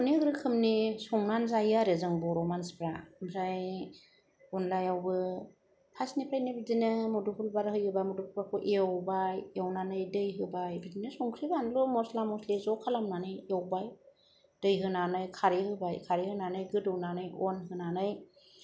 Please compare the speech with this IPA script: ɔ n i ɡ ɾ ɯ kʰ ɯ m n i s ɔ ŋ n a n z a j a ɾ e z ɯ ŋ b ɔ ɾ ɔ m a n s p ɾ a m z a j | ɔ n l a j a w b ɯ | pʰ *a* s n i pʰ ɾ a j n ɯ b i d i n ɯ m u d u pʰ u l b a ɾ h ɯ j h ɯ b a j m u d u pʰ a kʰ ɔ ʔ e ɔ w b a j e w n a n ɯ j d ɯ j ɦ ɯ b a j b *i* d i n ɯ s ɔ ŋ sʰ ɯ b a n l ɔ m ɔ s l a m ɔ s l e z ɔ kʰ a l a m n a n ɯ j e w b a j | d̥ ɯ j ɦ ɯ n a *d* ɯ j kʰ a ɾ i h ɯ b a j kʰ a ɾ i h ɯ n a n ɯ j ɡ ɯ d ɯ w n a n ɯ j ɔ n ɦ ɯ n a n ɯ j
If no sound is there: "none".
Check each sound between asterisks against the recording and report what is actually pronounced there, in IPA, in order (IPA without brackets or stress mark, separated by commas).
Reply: a, i, n